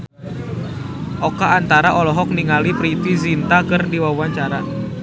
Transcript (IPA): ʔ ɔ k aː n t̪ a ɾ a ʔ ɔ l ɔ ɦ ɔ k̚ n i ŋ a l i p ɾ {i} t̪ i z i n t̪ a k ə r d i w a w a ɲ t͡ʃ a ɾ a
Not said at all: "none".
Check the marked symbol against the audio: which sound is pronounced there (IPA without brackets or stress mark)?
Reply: i